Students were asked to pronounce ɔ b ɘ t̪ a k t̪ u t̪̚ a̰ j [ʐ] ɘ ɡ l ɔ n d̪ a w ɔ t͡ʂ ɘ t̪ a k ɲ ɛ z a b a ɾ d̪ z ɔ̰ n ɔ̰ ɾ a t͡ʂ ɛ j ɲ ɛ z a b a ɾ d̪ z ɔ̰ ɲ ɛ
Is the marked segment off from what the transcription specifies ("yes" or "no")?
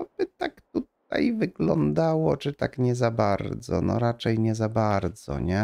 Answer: yes